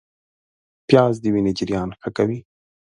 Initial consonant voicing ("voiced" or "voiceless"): voiceless